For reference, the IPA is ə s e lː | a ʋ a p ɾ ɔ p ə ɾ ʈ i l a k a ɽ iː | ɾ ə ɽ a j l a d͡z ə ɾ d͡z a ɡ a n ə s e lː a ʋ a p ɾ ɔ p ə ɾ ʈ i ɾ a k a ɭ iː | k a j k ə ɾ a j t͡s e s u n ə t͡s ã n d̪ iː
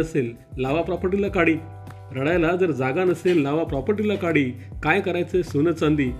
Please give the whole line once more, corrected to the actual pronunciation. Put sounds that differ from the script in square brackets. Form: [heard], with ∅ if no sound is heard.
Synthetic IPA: ə s e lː | a ʋ a p ɾ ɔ p ə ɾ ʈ i l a k a ɽ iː | ɾ ə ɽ a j l a d͡z ə ɾ d͡z a ɡ a n ə s e lː a ʋ a p ɾ ɔ p ə ɾ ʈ i [l] a k a [ɽ] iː | k a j k ə ɾ a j t͡s e s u n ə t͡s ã n d̪ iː